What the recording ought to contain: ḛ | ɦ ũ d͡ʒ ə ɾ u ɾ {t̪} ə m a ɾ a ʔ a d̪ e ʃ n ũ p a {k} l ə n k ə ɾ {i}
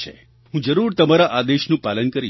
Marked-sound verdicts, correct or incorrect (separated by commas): correct, incorrect, correct